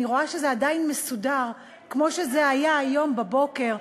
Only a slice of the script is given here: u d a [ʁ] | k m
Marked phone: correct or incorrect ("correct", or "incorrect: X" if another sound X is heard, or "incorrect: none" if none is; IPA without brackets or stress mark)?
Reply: correct